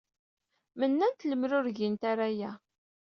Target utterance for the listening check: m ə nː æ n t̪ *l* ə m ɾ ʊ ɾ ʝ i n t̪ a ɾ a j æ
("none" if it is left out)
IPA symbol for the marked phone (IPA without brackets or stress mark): l